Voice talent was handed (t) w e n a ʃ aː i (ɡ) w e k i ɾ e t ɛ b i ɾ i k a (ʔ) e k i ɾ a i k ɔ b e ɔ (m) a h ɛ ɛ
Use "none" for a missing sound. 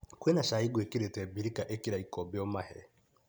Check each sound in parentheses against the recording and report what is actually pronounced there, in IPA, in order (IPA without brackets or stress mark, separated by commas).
k, ɡ, ʔ, m